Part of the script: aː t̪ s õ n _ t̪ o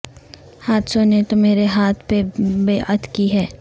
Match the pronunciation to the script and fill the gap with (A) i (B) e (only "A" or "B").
B